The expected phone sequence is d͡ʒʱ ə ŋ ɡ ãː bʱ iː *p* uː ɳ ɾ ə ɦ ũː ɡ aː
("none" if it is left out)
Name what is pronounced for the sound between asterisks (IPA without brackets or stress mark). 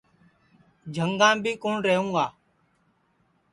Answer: k